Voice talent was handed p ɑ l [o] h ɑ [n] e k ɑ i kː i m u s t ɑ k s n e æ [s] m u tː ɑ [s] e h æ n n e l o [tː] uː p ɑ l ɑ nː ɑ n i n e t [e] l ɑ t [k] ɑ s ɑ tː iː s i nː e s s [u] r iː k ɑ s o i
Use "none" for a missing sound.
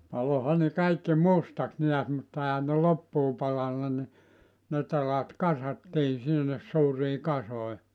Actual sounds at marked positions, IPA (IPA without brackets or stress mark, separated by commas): o, n, s, none, pː, e, k, uː